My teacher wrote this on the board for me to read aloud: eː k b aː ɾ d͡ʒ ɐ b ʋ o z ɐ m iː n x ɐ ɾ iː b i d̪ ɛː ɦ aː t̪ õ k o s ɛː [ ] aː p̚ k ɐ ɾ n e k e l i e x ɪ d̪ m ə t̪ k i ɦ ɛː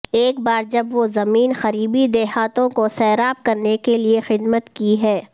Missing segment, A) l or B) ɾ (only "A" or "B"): B